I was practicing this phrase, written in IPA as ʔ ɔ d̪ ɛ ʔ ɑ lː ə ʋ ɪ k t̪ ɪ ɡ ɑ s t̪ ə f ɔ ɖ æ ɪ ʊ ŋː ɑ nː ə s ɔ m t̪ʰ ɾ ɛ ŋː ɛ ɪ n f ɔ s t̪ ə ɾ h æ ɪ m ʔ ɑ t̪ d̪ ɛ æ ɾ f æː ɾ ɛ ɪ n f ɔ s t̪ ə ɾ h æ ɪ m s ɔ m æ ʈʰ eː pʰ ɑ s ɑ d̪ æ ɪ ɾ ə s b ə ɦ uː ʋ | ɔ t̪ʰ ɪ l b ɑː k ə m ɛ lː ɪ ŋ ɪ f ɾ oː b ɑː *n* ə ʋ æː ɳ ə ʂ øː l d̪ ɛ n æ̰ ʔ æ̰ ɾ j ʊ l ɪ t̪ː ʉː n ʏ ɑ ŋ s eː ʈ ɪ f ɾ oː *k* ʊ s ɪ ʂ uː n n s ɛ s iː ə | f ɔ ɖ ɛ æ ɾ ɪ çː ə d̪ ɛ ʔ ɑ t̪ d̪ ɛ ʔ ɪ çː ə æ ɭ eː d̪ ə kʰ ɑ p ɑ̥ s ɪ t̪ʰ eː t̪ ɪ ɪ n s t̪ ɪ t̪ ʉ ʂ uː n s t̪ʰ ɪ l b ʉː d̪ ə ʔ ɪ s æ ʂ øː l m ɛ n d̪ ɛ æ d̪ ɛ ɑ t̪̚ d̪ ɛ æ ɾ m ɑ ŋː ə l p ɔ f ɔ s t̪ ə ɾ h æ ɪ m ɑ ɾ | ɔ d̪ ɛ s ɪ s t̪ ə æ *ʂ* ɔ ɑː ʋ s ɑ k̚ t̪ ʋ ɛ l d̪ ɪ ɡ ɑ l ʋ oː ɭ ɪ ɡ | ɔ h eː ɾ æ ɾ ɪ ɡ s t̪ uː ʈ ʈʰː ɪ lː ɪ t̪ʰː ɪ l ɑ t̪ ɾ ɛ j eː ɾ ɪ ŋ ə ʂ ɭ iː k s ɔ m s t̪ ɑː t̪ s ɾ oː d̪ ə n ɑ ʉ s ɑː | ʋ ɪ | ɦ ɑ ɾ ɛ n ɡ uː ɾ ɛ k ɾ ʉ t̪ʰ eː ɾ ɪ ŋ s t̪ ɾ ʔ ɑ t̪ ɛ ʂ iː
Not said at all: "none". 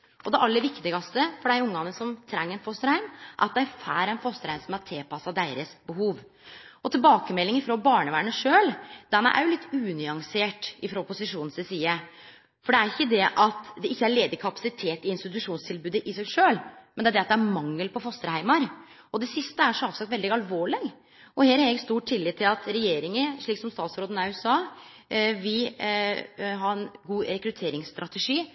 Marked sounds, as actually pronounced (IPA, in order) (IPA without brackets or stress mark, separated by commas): ɳ, p, ʂ